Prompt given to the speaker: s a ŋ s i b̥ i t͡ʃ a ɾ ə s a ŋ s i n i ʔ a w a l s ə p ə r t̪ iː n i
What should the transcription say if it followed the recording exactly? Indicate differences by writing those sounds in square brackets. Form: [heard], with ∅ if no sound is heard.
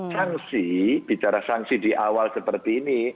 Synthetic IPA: s a ŋ s i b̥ i t͡ʃ a ɾ [a] s a ŋ s i [d] i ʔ a w a l s ə p ə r t̪ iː n i